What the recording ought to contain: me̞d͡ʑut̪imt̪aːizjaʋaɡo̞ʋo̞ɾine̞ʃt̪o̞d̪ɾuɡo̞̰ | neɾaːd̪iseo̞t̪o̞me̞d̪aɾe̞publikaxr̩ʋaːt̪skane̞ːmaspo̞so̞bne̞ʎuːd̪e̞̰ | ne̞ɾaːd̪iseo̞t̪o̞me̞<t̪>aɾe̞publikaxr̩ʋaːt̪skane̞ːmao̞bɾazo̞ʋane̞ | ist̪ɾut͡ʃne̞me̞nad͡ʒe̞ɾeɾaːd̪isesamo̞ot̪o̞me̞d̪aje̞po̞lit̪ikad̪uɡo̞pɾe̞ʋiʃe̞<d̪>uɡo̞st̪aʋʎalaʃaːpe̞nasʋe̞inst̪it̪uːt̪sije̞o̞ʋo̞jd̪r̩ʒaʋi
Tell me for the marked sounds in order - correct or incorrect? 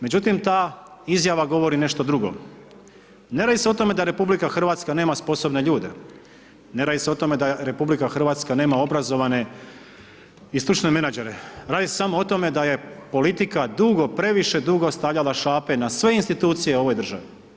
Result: incorrect: d̪, correct

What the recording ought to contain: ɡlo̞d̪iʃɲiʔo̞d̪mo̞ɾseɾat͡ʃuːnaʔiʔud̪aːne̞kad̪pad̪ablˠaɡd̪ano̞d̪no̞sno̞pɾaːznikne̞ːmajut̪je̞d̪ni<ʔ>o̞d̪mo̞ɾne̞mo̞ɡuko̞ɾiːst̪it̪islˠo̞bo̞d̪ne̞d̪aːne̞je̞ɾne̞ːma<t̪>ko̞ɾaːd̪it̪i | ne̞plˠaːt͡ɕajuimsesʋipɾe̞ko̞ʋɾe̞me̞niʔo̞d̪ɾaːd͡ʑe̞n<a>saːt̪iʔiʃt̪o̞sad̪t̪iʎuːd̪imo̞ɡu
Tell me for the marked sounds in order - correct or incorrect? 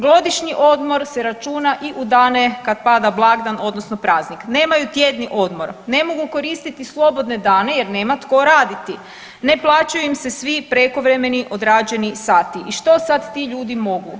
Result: correct, correct, incorrect: i

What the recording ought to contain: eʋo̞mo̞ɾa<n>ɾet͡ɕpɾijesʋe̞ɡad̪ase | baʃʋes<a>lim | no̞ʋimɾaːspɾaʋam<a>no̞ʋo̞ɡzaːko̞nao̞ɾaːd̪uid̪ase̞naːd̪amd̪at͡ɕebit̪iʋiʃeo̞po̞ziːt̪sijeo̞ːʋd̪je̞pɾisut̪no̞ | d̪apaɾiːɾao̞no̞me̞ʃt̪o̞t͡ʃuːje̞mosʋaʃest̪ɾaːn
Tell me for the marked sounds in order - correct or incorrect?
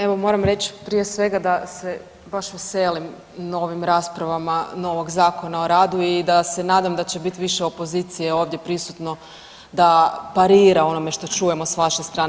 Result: incorrect: m, incorrect: e, correct

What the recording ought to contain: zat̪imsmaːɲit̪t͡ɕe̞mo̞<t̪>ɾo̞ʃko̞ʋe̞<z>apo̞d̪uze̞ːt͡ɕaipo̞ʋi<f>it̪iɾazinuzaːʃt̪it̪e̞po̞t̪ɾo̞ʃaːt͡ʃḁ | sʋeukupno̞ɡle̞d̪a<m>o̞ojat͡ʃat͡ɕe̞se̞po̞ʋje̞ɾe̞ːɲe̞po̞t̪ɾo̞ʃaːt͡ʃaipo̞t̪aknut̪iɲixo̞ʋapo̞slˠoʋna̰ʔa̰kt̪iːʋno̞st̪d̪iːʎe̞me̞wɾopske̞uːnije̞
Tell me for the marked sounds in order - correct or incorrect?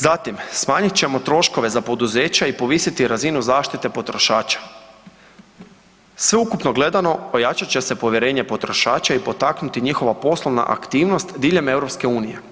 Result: correct, correct, incorrect: s, incorrect: n

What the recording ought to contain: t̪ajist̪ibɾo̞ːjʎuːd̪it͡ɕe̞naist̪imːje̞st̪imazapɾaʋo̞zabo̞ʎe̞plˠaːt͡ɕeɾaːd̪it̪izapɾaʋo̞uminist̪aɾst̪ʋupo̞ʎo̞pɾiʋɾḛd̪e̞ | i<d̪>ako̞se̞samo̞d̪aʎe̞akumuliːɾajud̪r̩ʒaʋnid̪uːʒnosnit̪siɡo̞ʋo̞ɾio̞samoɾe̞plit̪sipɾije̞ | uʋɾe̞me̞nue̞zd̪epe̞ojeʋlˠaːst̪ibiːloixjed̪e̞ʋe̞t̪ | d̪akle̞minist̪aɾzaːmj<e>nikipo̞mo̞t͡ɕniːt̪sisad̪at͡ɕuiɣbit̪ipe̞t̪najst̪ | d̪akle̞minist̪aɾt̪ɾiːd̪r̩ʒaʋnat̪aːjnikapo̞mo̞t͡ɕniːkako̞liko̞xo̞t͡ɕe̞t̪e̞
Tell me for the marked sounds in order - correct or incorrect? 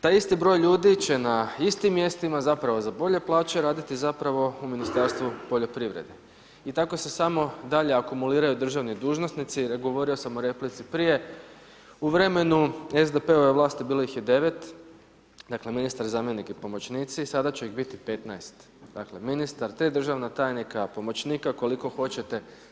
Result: incorrect: t̪, correct

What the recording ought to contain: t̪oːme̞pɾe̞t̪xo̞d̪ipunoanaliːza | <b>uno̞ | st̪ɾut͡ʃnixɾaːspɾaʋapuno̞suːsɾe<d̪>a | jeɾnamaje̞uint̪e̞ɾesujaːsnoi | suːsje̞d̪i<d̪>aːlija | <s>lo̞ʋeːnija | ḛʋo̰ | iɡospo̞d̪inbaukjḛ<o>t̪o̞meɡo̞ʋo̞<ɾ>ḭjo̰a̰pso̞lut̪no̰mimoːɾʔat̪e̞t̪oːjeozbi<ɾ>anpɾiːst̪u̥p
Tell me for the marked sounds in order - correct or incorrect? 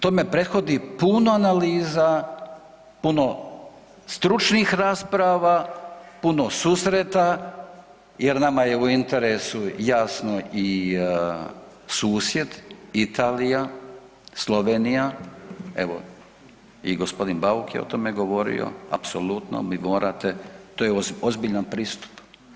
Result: incorrect: p, incorrect: t̪, incorrect: t̪, correct, correct, correct, incorrect: ʎ

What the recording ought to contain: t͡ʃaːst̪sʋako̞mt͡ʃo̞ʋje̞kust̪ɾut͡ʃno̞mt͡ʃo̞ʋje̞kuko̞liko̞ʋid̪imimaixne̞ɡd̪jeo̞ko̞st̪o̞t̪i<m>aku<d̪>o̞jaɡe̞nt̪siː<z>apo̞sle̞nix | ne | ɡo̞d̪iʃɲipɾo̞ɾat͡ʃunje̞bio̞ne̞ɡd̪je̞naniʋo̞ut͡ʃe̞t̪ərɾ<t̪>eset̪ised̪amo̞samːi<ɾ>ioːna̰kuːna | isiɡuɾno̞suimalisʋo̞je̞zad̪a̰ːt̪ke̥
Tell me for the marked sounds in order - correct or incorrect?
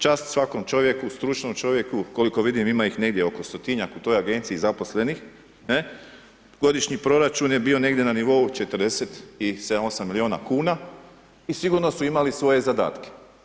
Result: incorrect: ɲ, incorrect: t̪, correct, incorrect: d̪, incorrect: l

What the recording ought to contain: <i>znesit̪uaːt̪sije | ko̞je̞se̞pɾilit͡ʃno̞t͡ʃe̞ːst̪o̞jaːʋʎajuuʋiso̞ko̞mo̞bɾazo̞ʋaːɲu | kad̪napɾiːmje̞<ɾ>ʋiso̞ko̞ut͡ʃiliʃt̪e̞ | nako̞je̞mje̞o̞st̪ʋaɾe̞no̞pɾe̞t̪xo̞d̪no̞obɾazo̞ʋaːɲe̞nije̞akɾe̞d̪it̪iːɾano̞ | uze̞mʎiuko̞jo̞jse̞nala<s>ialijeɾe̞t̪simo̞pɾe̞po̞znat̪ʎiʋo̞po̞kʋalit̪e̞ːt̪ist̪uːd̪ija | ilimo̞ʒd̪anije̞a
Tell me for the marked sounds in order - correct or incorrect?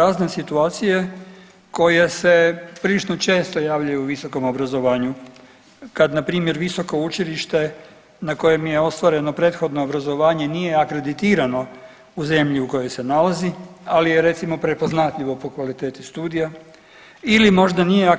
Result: incorrect: a, correct, incorrect: z

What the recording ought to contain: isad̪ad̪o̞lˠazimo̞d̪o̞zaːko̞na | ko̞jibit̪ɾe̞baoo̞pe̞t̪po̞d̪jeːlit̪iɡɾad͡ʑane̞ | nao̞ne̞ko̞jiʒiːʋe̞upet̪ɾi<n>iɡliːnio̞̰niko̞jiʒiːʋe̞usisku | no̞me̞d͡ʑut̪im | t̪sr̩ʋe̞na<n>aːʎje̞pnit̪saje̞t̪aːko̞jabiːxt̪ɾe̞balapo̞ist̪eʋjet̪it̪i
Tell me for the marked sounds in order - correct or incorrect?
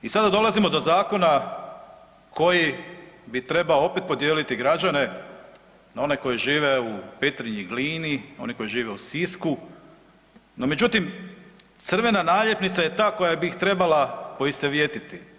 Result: incorrect: ɲ, correct

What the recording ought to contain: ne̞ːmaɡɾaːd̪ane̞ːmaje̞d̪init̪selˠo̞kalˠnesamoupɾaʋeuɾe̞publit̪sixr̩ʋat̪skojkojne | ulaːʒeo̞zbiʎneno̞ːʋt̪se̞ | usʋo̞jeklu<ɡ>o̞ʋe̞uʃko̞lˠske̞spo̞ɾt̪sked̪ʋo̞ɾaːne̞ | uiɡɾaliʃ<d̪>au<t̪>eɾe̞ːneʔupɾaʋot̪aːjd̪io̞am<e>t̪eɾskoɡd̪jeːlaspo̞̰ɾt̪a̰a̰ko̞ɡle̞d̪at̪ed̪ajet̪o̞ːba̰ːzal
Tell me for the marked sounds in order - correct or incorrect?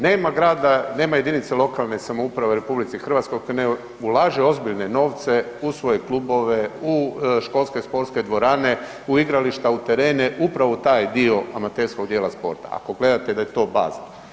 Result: incorrect: b, incorrect: t̪, correct, incorrect: a

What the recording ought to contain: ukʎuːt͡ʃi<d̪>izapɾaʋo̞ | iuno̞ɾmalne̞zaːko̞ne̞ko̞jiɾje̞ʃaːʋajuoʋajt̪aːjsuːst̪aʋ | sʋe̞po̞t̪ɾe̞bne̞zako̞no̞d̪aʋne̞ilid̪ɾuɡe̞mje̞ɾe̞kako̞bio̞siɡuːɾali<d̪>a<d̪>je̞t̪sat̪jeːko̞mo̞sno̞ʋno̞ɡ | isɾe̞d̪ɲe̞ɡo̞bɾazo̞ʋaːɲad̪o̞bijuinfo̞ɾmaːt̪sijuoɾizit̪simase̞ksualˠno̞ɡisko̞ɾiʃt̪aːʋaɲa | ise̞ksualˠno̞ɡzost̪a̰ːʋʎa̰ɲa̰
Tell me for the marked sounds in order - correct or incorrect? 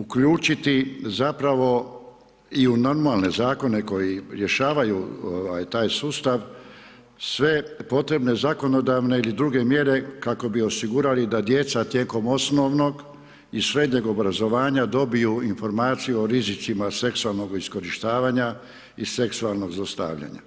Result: incorrect: t̪, correct, correct

